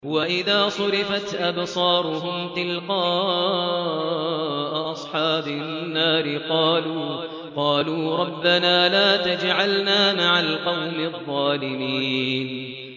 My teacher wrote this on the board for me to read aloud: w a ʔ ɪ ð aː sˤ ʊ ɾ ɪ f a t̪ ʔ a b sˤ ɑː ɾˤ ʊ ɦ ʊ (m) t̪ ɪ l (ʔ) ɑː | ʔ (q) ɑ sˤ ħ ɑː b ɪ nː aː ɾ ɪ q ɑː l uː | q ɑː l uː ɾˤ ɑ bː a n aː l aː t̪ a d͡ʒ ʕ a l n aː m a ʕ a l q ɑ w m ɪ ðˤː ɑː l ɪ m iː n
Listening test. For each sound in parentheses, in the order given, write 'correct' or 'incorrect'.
correct, incorrect: q, incorrect: ʔ

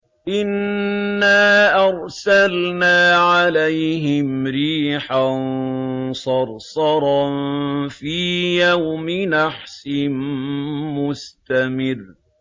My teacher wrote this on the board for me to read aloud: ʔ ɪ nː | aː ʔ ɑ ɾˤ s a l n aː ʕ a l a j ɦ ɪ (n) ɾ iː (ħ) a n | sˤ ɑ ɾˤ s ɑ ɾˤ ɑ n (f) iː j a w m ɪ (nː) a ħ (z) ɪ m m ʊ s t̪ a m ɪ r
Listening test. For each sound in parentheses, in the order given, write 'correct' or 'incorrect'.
incorrect: m, correct, correct, incorrect: n, incorrect: s

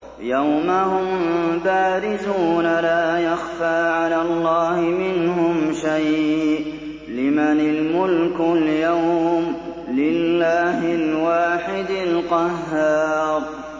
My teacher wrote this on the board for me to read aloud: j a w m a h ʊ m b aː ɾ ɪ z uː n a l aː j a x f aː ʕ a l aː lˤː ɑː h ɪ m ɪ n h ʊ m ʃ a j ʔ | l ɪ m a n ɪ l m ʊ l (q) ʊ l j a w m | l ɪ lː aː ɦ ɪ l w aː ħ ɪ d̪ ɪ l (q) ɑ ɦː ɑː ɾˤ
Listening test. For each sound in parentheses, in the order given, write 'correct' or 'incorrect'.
incorrect: k, correct

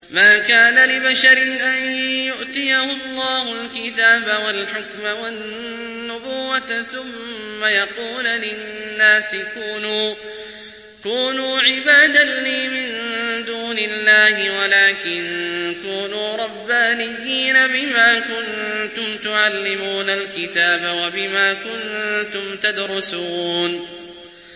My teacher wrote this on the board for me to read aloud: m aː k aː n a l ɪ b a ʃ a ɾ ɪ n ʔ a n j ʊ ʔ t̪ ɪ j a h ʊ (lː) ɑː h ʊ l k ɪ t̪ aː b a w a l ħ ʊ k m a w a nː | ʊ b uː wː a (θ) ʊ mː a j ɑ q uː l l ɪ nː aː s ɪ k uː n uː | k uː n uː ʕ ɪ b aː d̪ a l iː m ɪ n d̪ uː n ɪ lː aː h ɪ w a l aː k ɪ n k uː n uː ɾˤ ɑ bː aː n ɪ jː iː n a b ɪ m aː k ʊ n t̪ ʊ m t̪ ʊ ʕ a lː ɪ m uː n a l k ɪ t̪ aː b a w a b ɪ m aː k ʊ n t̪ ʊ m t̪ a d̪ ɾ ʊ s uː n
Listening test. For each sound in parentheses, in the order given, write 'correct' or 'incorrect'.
correct, correct

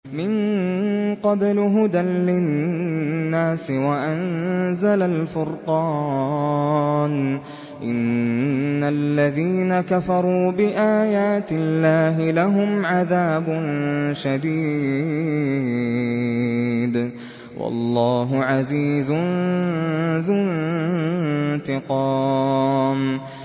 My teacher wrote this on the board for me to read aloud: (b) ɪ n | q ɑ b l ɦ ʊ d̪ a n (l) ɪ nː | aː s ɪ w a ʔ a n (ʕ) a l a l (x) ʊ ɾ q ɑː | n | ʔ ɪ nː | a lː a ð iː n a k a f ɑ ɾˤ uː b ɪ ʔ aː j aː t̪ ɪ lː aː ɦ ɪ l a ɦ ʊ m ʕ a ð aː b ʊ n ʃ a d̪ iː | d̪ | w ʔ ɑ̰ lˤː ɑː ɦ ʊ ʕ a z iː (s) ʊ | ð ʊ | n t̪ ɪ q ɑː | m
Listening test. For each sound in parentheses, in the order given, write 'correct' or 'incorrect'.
incorrect: m, correct, incorrect: z, incorrect: f, incorrect: z

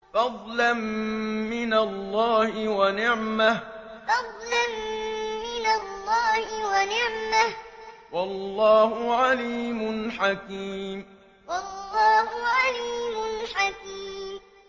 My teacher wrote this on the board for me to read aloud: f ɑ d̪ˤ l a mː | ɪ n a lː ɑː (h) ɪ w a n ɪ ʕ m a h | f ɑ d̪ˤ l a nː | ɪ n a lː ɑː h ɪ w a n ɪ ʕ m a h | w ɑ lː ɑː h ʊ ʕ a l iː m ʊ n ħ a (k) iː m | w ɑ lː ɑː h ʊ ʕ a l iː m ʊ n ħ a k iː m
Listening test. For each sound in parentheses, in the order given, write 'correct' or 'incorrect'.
correct, correct

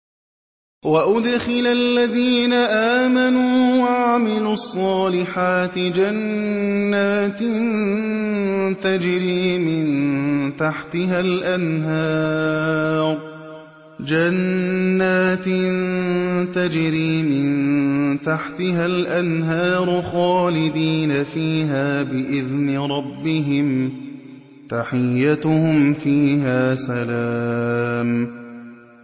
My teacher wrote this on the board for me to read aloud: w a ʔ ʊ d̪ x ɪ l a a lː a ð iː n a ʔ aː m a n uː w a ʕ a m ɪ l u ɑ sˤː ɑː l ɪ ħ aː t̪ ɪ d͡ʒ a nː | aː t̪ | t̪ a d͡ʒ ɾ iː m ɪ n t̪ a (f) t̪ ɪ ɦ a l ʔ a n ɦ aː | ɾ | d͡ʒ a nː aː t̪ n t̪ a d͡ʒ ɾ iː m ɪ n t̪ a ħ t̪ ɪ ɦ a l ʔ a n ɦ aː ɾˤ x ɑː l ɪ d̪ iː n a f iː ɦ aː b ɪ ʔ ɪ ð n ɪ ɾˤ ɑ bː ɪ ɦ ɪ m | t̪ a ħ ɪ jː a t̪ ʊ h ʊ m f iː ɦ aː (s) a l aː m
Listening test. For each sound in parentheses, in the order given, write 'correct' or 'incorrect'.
incorrect: ħ, correct

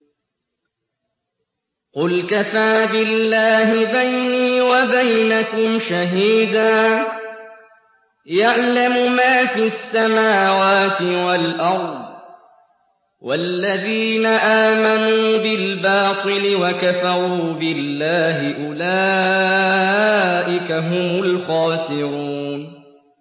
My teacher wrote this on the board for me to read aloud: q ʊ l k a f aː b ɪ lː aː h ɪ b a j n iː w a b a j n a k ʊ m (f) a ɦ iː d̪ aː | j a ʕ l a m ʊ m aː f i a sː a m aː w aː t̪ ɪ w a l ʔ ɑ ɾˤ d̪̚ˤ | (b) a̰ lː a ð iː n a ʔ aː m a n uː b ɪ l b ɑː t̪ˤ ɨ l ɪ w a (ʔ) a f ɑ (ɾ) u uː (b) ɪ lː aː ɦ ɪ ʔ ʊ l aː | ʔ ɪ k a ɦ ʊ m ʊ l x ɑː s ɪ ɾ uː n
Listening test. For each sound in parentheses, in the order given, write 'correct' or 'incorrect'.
incorrect: ʃ, incorrect: w, incorrect: k, correct, correct

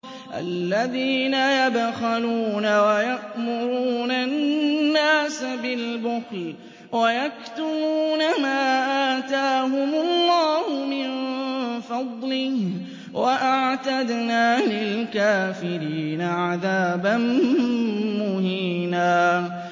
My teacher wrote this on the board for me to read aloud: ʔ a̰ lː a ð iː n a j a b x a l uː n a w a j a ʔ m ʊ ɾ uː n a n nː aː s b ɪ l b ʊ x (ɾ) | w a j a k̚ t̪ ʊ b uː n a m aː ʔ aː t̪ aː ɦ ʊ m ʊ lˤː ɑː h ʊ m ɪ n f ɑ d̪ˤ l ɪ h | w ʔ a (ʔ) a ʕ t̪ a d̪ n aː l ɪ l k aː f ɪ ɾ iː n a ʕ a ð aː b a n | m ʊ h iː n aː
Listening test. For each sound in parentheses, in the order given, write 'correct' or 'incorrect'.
incorrect: l, correct

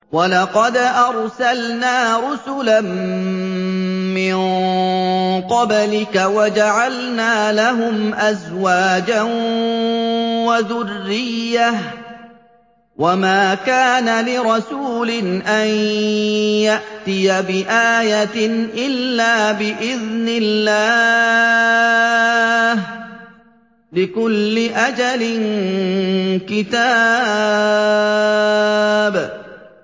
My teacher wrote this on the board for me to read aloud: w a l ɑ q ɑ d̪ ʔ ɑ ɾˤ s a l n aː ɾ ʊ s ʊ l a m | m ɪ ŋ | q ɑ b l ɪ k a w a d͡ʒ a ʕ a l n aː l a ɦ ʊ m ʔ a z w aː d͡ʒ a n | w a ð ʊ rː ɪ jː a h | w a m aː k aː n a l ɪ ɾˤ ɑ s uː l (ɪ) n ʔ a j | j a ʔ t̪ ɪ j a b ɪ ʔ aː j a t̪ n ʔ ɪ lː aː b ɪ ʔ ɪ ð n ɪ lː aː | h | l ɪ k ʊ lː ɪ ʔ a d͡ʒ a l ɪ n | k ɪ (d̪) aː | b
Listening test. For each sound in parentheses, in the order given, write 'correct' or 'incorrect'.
correct, incorrect: t̪

